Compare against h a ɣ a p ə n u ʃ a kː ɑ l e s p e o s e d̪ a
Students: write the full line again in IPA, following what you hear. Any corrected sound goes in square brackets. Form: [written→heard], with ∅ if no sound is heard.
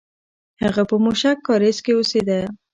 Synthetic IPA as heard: h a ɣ a p ə [n→m] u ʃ a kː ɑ [l→ɾ] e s [p→k] e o s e d̪ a

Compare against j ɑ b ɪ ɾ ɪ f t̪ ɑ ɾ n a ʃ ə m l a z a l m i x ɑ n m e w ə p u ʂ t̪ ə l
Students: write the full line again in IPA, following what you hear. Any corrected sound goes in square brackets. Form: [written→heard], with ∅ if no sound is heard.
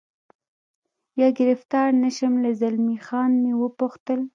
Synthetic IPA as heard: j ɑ [b→ɡ] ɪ ɾ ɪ f t̪ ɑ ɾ n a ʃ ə m l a z a l m i x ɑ n m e w ə p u [ʂ→x] t̪ ə l

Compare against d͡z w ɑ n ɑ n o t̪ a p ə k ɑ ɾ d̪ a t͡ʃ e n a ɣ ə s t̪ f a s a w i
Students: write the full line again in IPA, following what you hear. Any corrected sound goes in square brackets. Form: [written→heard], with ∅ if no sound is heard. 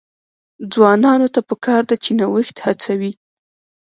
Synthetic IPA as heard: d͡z w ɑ n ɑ n o t̪ a p ə k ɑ ɾ d̪ a t͡ʃ e n a [ɣ→w] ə [s→x] t̪ [f→h] a [s→t͡s] a w i

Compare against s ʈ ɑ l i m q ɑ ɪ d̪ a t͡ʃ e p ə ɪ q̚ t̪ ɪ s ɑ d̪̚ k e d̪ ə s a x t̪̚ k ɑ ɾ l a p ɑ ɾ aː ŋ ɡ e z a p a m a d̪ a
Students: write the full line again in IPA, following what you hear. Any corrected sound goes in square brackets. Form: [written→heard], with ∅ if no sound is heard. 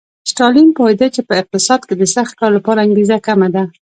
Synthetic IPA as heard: s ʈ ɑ l i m [q→p] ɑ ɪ d̪ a t͡ʃ e p ə ɪ q̚ t̪ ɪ s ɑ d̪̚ k e d̪ ə s a x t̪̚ k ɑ ɾ l a p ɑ ɾ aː ŋ ɡ e z a [p→k] a m a d̪ a

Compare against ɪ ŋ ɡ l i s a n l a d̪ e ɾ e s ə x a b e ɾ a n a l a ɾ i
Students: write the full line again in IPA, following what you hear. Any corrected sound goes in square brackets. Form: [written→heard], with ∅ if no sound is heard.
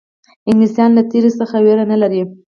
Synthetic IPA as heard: ɪ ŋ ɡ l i s [a→ɑ] n l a [d̪→t̪] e ɾ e s ə x a [b→w] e ɾ a n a l a ɾ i

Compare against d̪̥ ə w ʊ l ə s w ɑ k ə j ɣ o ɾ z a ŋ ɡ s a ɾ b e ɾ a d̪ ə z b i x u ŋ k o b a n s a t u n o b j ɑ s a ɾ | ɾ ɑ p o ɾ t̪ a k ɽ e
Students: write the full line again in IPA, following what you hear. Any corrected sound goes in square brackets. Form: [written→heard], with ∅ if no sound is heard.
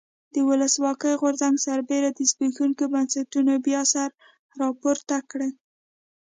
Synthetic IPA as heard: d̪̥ ə w ʊ l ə s w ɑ k ə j ɣ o ɾ z a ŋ ɡ s a ɾ b e ɾ a d̪ ə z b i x u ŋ k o b a n s a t u n o b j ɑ s a ɾ | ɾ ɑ p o ɾ t̪ a k ɽ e

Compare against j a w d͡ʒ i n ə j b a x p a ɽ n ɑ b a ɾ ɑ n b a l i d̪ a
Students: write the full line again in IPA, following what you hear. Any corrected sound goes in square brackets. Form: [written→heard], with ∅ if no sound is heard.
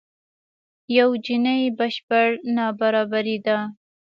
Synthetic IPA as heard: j a w d͡ʒ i n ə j b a [x→ʃ] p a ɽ n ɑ b a ɾ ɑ [n→∅] b a [l→ɾ] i d̪ a

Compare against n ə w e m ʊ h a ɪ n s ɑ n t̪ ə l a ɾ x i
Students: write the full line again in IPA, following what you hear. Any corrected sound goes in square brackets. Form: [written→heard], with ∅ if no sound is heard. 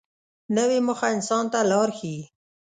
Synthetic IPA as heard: n ə w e m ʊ [h→x] a ɪ n s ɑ n t̪ [ə→a] l [a→ɑ] ɾ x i

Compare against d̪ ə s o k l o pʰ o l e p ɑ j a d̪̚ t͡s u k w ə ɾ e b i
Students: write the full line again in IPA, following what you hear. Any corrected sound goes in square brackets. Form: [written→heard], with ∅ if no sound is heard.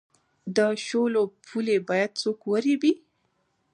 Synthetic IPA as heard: d̪ ə [s→ʃ] o [k→∅] l o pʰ [o→u] l e [p→b] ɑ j a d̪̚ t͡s [u→o] k w ə ɾ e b i

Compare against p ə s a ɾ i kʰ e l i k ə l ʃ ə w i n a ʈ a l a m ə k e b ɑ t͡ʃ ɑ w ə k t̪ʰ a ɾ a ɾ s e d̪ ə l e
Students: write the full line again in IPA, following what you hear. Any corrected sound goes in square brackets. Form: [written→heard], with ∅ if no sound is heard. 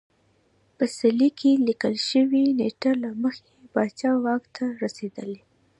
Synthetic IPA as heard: p ə s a [ɾ→l] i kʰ e l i k ə l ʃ ə w i n [a→e] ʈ a l a m ə [k→x] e b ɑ t͡ʃ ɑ w [ə→ɑ] k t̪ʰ a ɾ a [ɾ→∅] s e d̪ ə l e

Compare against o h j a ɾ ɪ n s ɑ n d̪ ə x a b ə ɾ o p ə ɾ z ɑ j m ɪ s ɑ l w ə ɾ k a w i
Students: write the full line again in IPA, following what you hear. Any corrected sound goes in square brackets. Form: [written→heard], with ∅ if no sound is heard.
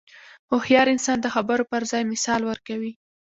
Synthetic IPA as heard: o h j [a→ɑ] ɾ ɪ n s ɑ n d̪ ə x a b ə ɾ o p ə ɾ z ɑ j m ɪ s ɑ l w ə ɾ k a w i

